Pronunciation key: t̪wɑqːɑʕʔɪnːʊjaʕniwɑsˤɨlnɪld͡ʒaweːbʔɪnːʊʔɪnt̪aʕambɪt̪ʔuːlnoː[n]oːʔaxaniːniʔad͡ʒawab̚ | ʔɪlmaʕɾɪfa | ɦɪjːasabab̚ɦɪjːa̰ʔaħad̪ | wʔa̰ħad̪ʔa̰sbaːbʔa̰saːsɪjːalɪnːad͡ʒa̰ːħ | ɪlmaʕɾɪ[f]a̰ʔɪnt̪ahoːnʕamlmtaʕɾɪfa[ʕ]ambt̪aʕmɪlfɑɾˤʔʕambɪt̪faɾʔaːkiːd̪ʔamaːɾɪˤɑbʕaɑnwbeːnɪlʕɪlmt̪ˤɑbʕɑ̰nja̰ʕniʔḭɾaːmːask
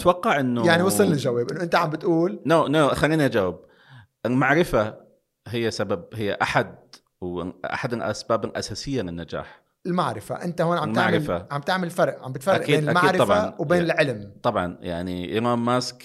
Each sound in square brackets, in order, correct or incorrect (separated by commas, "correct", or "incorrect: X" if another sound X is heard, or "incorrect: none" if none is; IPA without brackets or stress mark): correct, correct, correct